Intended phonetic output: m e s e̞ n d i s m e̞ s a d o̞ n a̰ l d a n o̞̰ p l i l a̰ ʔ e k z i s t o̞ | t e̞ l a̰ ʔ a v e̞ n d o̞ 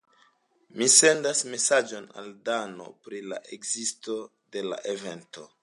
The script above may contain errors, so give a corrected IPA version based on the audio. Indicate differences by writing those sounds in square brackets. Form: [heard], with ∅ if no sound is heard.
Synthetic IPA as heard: m [i] s e̞ n d [a] s m e̞ s a [d͡ʒ] o̞ n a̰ l d a n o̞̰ p [ɾ] i l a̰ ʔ e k z i s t o̞ | [d] e̞ l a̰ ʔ [e] v e̞ n [t] o̞